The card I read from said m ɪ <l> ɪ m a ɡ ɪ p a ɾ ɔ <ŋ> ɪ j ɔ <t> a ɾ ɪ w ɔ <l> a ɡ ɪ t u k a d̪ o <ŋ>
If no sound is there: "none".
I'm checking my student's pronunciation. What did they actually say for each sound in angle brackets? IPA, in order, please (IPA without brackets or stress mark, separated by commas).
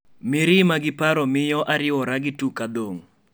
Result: ɾ, m, ʔ, ɾ, ŋ